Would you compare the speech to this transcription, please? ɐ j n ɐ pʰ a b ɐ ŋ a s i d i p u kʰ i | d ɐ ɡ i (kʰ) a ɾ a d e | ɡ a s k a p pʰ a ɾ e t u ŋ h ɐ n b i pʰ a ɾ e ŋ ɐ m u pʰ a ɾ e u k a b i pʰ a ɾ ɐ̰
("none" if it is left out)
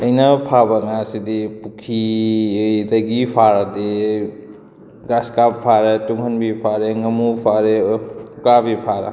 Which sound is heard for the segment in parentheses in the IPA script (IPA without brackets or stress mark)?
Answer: pʰ